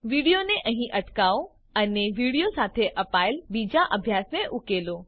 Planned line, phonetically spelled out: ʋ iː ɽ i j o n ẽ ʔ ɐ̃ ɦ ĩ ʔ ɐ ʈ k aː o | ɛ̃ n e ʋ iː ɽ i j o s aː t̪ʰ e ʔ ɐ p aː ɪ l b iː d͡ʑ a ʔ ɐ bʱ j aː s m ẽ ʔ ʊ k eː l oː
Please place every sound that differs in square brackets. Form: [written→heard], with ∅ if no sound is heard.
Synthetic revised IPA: ʋ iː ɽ i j o n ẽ ʔ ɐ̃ ɦ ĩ ʔ ɐ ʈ k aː o | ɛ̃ n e ʋ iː ɽ i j o s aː t̪ʰ e ʔ ɐ p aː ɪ l b iː d͡ʑ a ʔ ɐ bʱ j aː s m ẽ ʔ ʊ k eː l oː